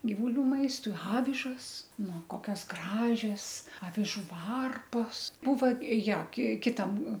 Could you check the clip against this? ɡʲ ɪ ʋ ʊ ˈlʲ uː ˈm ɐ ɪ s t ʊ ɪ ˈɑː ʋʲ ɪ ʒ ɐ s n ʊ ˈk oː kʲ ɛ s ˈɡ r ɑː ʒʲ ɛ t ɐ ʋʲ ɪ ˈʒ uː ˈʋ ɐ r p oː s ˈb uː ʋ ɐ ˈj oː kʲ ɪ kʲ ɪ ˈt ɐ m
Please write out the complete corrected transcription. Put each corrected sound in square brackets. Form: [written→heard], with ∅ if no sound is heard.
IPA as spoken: ɡʲ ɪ ʋ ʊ ˈlʲ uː ˈm ɐ ɪ s t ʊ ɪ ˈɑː ʋʲ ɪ ʒ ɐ s n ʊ ˈk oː kʲ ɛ s ˈɡ r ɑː ʒʲ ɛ [t→s] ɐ ʋʲ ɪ ˈʒ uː ˈʋ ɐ r p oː s ˈb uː ʋ ɐ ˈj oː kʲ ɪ kʲ ɪ ˈt ɐ m

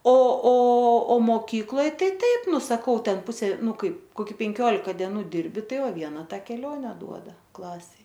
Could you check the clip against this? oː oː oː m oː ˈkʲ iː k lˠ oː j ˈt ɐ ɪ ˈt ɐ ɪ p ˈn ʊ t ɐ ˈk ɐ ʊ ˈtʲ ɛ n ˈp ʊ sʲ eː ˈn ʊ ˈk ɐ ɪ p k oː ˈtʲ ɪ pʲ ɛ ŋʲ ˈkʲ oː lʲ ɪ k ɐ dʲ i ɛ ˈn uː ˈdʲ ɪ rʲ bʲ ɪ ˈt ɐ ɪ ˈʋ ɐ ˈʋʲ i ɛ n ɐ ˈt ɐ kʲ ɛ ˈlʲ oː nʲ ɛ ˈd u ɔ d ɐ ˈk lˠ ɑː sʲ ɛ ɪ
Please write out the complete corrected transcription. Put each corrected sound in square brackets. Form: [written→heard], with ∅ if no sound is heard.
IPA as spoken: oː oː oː m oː ˈkʲ iː k lˠ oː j ˈt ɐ ɪ ˈt ɐ ɪ p ˈn ʊ [t→s] ɐ ˈk ɐ ʊ ˈtʲ ɛ n ˈp ʊ sʲ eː ˈn ʊ ˈk ɐ ɪ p k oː [ˈtʲ→ˈkʲ] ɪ pʲ ɛ ŋʲ ˈkʲ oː lʲ ɪ k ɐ dʲ i ɛ ˈn uː ˈdʲ ɪ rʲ bʲ ɪ ˈt ɐ ɪ ˈʋ ɐ ˈʋʲ i ɛ n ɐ ˈt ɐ kʲ ɛ ˈlʲ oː nʲ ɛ ˈd u ɔ d ɐ ˈk lˠ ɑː sʲ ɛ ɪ

